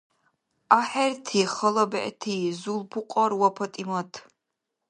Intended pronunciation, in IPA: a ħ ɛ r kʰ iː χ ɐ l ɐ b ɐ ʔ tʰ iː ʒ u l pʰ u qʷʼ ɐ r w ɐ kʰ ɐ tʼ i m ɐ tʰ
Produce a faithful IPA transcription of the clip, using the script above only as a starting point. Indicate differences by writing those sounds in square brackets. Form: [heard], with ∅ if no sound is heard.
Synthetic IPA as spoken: a ħ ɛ r [tʰ] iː χ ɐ l ɐ b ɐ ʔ tʰ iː [z] u l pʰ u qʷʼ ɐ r w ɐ [pʰ] ɐ tʼ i m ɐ tʰ